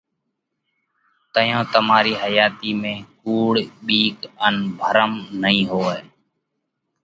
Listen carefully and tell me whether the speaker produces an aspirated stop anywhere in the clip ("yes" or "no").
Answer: no